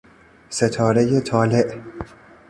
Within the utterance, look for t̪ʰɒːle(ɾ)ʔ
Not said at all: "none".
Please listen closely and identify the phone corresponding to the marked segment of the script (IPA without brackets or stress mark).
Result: none